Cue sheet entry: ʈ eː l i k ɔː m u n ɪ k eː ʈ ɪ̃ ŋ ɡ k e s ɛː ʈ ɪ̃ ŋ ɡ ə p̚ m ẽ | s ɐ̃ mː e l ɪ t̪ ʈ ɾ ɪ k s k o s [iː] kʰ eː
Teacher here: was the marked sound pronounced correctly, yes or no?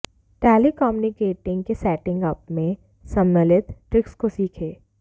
yes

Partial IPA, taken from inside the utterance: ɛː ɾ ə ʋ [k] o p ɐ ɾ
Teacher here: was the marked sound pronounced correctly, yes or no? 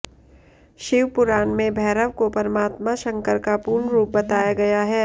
yes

